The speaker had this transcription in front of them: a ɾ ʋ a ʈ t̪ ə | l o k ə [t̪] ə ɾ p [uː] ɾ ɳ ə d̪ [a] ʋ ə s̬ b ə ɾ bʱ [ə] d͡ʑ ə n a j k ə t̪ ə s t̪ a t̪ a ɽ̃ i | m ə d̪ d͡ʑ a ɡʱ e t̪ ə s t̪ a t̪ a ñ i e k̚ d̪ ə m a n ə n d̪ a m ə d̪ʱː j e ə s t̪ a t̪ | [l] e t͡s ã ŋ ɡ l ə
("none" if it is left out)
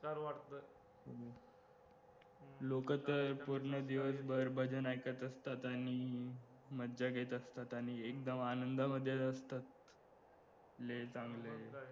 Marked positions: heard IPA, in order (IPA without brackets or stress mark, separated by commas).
t̪, u, i, ə, l